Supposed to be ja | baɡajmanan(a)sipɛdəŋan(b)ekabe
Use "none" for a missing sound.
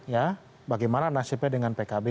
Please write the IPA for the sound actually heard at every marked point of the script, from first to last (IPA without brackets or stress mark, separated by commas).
a, p